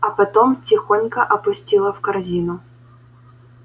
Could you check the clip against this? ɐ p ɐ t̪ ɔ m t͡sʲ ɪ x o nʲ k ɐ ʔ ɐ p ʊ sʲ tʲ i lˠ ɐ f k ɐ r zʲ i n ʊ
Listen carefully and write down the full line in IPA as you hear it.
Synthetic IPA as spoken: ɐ p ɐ t̪ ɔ m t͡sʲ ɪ x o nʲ k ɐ ʔ ɐ p ʊ sʲ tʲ i lˠ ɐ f k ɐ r zʲ i n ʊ